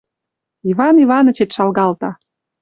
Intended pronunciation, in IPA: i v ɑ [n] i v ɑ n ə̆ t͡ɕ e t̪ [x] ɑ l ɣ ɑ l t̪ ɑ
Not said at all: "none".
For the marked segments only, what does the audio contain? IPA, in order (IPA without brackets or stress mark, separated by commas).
n, ʃ